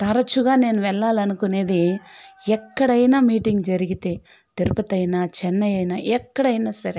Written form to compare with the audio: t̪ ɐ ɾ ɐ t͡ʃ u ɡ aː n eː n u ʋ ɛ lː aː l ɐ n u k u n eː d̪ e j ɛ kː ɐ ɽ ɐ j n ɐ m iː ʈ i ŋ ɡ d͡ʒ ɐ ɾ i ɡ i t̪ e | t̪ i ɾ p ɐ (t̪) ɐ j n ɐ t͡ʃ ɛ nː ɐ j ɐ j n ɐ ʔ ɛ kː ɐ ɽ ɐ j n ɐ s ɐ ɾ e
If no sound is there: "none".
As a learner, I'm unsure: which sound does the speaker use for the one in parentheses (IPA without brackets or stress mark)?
t̪